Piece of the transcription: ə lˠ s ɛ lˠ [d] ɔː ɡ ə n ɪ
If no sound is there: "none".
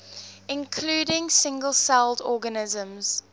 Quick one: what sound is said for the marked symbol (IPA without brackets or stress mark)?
d